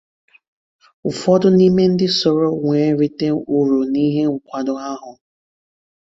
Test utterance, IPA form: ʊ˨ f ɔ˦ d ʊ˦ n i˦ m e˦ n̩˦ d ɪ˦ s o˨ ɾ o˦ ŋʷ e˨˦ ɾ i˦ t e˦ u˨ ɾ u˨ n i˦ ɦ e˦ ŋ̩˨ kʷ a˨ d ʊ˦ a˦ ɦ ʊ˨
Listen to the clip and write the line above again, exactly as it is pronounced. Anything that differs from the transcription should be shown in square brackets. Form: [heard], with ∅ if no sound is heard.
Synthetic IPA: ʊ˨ f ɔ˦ d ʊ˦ n i˦ m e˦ n̩˦ d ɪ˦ s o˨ ɾ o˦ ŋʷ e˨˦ ɾ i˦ t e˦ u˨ ɾ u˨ n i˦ ɦ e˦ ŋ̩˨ kʷ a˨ d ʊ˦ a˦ ɦ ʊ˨